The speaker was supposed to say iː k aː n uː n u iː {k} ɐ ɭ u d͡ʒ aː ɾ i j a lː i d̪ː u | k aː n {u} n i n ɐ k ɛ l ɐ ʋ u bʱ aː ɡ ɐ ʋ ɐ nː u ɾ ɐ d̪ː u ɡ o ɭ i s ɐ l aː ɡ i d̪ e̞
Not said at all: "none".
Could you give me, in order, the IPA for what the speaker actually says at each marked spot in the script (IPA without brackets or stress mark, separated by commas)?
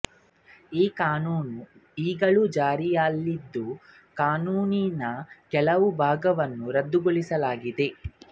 ɡ, uː